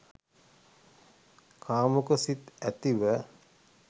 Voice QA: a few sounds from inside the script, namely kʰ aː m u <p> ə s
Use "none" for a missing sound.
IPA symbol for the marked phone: k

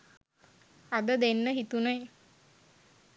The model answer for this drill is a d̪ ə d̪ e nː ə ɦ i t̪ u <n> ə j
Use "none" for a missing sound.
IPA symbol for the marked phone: n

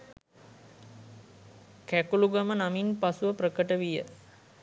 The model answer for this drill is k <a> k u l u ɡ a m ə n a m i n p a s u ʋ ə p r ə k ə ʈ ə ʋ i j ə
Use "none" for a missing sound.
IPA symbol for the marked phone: æ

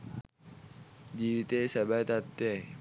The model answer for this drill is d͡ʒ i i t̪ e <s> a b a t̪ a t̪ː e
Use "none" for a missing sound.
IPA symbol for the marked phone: s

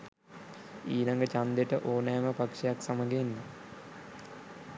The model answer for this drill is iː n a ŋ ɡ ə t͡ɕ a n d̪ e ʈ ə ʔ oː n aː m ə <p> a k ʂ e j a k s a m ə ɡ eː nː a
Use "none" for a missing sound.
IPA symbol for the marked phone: p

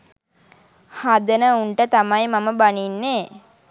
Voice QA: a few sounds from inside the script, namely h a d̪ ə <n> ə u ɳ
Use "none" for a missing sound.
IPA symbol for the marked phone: n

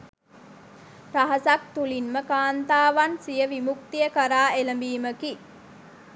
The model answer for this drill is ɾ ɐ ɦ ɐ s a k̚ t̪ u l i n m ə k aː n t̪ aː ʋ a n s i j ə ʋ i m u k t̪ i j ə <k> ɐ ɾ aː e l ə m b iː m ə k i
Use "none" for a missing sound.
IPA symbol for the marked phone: k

